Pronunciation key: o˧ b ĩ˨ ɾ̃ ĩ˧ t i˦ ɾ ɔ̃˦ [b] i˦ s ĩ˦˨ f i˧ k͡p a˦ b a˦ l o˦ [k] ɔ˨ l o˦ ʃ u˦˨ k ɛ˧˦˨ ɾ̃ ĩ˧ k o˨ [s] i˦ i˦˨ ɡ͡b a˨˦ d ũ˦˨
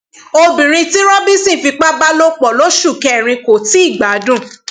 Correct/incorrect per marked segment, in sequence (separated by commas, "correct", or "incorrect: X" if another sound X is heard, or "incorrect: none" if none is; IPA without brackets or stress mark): correct, incorrect: k͡p, incorrect: t